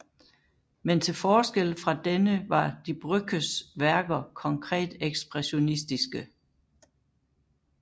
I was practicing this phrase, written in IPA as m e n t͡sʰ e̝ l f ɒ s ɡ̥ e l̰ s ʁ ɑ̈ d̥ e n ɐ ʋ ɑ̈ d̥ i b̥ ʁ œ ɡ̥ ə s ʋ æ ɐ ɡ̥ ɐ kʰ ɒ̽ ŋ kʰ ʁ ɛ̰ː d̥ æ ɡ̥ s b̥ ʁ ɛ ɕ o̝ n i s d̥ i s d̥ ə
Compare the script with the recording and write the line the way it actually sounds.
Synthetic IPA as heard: m e n t͡sʰ e̝ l f ɒː s ɡ̥ e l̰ f ʁ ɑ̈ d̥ e n ə ʋ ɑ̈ d̥ i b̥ ʁ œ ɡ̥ ə s ʋ æ ɐ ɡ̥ ɐ kʰ ɒ̽ ŋ kʰ ʁ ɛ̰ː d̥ e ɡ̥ s b̥ ʁ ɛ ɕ o̝ n i s d̥ i s ɡ̥ ə

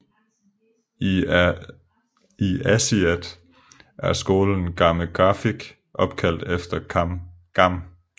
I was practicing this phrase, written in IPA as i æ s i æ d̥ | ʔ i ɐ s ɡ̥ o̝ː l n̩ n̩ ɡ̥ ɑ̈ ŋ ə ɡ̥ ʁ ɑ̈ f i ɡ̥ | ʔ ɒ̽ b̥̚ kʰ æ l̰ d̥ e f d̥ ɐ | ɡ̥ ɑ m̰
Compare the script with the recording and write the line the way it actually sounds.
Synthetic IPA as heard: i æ s i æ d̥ | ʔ æ ɐ s ɡ̥ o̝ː l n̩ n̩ ɡ̥ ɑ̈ m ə ɡ̥ ʁ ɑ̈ f i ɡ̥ | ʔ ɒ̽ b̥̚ kʰ æ l̰ d̥ e f d̥ ɐ | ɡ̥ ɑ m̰

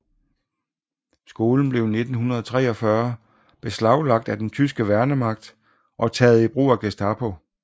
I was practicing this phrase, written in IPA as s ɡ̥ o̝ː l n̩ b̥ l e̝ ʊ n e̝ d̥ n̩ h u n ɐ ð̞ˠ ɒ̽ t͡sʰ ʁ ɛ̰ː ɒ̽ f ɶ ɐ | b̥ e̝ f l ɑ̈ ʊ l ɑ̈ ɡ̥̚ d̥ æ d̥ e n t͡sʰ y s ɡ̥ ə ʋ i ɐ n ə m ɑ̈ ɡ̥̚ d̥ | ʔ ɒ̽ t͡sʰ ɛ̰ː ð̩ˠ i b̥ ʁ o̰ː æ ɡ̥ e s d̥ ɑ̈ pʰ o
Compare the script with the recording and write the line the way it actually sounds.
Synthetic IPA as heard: s ɡ̥ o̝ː l n̩ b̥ l e̝ ʊ n e̝ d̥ n̩ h u n ɐ ð̞ˠ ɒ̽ t͡sʰ ʁ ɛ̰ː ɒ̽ f ɶ ɐ | b̥ e̝ s l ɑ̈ ʊ l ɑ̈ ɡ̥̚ d̥ æ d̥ e n t͡sʰ y s ɡ̥ ə ʋ æ ɐ n ə m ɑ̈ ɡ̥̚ d̥ | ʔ ɒ̽ t͡sʰ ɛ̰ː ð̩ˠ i b̥ ʁ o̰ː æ ɡ̥ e s d̥ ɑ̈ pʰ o

